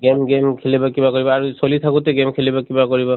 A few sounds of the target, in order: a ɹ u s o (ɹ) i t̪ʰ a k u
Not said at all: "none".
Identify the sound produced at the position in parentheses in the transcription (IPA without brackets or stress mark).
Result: l